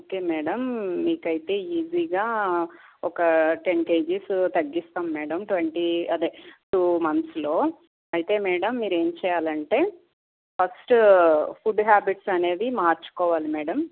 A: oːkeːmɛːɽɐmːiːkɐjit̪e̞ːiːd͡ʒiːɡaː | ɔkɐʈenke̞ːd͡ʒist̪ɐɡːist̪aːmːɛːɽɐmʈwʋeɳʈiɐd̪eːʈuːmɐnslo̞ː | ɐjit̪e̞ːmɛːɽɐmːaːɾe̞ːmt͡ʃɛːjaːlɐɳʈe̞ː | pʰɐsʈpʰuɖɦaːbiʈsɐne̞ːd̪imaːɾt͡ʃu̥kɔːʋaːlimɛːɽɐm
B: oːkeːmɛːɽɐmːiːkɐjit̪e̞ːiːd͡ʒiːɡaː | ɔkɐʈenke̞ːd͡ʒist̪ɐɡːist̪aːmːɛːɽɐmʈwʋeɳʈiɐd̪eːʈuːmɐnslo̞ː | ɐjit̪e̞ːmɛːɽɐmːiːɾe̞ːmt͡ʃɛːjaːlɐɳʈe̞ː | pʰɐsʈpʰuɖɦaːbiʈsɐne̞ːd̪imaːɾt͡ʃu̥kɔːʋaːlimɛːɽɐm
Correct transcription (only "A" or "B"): B